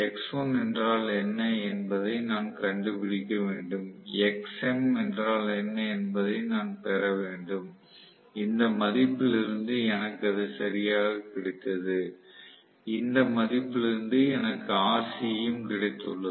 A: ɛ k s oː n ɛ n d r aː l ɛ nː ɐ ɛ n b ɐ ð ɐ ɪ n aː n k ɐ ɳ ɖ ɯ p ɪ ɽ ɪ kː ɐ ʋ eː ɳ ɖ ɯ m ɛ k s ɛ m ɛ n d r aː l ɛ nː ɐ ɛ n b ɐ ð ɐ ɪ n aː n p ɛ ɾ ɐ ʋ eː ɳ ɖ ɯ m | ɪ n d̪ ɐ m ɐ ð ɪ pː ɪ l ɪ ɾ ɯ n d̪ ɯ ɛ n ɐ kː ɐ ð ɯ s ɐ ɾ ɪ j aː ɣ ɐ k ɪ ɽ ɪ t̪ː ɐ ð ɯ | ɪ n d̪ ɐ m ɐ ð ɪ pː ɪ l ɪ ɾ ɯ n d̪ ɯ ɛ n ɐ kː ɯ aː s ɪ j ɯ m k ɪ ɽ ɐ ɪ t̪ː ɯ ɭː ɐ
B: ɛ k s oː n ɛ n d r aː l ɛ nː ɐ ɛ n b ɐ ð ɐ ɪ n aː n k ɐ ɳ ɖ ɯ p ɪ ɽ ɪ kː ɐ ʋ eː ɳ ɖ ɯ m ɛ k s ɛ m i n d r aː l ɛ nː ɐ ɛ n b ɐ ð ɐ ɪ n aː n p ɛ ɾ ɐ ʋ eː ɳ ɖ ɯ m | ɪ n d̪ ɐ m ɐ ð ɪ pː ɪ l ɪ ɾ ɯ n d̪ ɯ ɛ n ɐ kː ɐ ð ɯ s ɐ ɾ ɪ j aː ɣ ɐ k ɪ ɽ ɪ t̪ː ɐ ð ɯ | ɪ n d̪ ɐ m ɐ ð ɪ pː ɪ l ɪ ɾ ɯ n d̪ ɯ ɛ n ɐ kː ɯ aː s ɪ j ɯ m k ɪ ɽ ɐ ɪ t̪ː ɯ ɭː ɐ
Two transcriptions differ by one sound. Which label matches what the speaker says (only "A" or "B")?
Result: A